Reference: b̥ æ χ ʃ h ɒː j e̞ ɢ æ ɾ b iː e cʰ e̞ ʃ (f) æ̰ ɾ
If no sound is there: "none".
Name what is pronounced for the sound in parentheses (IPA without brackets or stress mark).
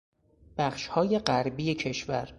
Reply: v